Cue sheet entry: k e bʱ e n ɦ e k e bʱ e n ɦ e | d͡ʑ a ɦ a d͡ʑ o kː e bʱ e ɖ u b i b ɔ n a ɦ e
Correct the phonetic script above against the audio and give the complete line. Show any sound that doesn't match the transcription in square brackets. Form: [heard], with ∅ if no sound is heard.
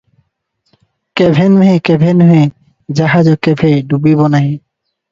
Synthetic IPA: k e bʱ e n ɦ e k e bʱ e n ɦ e | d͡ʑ a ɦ a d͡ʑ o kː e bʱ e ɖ u b i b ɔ n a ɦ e